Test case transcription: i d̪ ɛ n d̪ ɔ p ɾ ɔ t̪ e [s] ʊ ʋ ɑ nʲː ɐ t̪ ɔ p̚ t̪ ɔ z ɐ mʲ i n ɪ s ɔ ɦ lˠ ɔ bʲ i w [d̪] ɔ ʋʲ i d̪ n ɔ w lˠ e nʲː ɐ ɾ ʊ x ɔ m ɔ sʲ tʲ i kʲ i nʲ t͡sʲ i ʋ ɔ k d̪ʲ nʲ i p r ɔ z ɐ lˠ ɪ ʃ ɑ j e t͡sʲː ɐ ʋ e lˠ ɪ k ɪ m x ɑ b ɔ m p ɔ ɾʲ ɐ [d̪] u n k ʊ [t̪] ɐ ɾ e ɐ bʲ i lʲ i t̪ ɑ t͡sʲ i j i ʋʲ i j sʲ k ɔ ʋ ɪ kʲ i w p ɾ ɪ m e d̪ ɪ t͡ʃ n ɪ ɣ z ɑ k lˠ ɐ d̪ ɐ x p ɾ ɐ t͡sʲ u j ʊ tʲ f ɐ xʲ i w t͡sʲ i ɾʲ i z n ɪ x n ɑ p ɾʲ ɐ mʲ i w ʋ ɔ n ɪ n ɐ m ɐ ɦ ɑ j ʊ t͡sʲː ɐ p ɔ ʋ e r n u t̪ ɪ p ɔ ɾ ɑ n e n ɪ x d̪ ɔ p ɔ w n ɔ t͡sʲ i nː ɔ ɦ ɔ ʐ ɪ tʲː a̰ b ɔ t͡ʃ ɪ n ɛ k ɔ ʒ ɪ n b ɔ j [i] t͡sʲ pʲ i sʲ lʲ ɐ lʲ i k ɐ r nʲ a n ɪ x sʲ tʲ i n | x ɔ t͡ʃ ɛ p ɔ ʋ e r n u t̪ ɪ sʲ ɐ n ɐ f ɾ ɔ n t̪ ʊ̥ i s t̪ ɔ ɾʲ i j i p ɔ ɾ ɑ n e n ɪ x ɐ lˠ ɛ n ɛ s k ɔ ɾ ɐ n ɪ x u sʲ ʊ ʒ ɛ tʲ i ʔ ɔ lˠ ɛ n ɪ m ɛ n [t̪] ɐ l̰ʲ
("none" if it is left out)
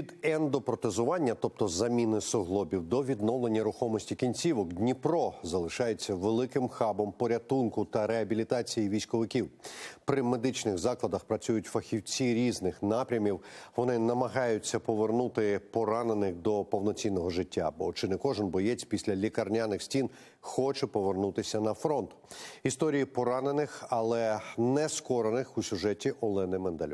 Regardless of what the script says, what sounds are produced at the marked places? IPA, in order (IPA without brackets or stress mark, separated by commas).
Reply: z, d̪, t̪, t̪, ɛ, d̪